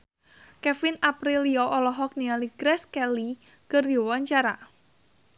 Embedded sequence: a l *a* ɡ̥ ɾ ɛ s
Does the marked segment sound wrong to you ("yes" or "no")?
yes